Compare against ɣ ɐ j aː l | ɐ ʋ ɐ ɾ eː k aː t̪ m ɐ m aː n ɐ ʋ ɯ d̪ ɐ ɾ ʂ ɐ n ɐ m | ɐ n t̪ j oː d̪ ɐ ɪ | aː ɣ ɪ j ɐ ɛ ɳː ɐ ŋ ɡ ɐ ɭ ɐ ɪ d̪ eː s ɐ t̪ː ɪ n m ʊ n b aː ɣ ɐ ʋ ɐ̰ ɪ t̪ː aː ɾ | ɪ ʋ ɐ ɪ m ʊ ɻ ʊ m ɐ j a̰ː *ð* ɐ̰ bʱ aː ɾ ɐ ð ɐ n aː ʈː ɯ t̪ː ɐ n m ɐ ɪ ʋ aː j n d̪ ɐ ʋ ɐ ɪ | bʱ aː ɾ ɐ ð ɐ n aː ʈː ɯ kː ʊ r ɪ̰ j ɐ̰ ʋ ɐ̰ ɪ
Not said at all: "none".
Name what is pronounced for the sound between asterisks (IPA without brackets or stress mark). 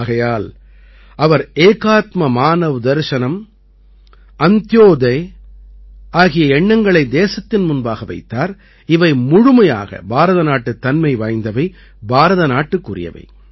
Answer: ɣ